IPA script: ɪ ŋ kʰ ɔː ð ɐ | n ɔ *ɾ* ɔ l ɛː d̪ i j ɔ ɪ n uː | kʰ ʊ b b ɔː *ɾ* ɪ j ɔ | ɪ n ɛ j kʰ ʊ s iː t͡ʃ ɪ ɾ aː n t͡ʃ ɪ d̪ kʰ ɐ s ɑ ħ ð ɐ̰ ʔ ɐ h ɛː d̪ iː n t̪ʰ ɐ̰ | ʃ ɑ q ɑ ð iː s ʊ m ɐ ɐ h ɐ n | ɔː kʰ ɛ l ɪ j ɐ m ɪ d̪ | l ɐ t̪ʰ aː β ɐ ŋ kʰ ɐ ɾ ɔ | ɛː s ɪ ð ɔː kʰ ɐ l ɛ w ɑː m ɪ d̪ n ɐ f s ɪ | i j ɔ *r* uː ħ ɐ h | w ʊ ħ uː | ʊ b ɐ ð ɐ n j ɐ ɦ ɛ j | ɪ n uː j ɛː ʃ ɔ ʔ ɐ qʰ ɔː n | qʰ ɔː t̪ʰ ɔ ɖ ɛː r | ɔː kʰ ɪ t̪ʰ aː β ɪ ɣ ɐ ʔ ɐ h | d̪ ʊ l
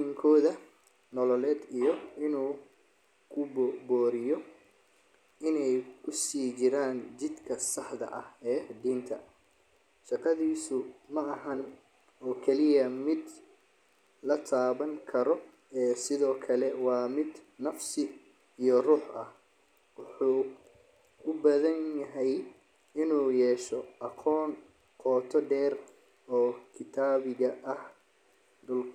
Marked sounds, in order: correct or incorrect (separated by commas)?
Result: incorrect, correct, correct